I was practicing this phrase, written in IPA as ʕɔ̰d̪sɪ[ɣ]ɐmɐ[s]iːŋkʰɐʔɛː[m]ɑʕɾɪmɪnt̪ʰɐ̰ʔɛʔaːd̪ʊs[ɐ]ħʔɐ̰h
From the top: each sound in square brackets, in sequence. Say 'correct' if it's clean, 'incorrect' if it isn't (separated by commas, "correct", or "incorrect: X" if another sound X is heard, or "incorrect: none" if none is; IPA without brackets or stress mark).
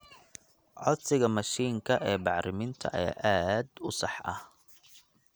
correct, incorrect: ʃ, incorrect: b, incorrect: ɑ